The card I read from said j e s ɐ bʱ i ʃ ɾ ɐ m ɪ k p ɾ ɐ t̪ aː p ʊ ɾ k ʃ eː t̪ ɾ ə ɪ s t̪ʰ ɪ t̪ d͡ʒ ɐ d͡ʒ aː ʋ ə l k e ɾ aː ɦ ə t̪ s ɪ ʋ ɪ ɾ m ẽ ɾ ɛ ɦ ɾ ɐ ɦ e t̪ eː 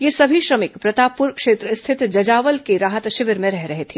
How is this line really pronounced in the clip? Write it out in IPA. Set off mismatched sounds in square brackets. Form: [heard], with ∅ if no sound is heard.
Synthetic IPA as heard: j e s ɐ bʱ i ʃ ɾ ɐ m ɪ k p ɾ ɐ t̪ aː p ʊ ɾ k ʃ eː t̪ ɾ ə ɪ s t̪ʰ ɪ t̪ d͡ʒ ɐ d͡ʒ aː ʋ ə l k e ɾ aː ɦ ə t̪ [ʃ] ɪ ʋ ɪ ɾ m ẽ ɾ ɛ ɦ ɾ ɐ ɦ e [t̪ʰ] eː